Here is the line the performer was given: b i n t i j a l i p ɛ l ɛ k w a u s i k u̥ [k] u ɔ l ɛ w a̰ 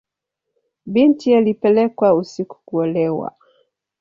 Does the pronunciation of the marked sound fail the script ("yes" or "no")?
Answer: no